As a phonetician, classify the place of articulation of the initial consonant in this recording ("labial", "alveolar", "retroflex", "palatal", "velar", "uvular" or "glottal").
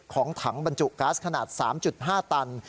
velar